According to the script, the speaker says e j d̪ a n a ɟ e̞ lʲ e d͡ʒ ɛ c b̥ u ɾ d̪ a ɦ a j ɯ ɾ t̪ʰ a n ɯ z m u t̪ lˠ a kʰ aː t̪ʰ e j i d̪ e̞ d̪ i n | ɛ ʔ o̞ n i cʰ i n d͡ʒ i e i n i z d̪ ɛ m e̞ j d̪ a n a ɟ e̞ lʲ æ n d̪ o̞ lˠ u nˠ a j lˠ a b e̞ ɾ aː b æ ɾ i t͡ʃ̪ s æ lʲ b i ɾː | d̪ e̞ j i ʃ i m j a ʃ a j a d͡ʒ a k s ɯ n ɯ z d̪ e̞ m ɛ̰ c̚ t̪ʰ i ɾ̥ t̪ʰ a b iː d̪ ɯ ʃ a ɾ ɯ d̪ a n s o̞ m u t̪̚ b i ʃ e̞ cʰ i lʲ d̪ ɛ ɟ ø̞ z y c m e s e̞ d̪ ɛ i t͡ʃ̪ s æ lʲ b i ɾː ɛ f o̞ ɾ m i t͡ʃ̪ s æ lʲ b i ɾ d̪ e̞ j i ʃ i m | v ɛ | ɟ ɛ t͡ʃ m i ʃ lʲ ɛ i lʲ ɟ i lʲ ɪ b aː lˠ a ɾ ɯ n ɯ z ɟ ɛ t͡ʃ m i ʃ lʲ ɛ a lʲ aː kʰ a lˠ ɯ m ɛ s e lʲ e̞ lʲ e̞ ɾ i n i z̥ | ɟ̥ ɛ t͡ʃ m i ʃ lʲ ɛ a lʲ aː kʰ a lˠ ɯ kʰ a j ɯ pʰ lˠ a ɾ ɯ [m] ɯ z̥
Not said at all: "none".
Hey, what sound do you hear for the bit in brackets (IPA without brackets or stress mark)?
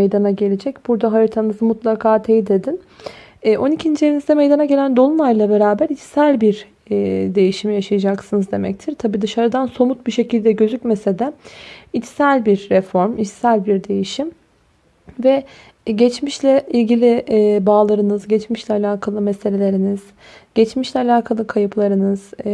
n